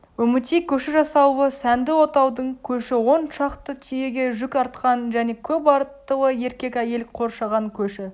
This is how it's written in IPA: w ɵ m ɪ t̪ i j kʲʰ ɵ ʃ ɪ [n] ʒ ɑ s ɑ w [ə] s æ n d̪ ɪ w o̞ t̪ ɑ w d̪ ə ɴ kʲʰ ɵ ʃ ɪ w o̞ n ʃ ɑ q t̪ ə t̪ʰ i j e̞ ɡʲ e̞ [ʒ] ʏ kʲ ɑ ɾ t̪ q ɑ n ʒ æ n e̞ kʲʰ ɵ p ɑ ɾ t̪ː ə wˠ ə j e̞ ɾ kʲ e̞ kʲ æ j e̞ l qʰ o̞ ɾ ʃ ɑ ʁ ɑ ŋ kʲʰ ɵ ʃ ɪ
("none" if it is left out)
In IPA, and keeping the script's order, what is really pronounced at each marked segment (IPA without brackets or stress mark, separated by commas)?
none, ə, ʒ